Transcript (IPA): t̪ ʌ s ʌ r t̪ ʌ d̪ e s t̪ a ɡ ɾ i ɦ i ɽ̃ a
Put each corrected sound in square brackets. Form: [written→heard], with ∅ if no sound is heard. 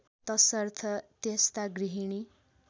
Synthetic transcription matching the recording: t̪ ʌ s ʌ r [t̪→t̪ʰ] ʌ [d̪→t̪] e s t̪ a ɡ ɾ i ɦ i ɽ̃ [a→i]

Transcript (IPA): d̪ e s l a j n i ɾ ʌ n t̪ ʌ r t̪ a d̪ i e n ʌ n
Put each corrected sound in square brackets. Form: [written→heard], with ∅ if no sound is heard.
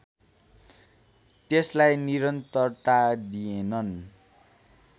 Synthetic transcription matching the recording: [d̪→t̪] e s l a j n i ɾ ʌ n t̪ ʌ r t̪ a d̪ i e n ʌ n

